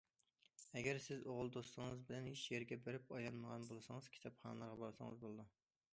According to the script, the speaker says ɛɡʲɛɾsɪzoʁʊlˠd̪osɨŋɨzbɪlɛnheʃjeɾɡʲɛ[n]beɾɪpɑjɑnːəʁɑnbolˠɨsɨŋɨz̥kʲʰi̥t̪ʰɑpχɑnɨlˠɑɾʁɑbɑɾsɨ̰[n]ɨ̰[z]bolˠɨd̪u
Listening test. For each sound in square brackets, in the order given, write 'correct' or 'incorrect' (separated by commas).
incorrect, incorrect, correct